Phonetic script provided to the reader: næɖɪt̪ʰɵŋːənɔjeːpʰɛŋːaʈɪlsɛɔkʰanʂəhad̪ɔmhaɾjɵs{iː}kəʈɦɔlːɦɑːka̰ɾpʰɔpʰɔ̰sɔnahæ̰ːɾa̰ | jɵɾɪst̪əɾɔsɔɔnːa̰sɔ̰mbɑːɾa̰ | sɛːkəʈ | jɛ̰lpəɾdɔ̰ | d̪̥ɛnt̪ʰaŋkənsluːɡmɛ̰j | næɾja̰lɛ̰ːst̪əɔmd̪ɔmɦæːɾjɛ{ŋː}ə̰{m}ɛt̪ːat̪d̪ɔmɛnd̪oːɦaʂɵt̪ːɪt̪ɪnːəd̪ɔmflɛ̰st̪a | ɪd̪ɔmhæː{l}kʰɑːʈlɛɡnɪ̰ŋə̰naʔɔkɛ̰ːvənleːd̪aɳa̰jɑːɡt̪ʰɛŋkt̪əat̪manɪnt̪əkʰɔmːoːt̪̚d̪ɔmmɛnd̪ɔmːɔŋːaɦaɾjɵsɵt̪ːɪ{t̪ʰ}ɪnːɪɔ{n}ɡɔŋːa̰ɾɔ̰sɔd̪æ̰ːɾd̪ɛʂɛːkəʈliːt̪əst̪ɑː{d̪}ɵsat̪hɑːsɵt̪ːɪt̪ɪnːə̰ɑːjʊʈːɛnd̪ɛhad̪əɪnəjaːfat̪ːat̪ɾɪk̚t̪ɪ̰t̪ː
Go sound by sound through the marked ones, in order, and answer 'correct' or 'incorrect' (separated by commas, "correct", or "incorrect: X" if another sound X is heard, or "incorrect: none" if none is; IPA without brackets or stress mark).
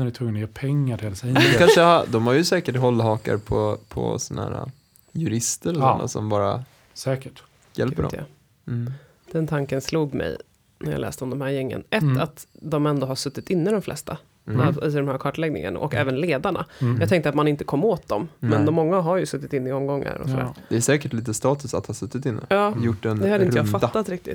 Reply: incorrect: ɛː, correct, incorrect: n, incorrect: ɾ, incorrect: t̪, incorrect: m, incorrect: t̪